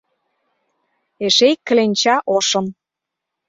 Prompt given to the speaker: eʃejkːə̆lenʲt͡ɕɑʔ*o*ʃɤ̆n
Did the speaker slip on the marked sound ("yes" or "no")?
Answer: no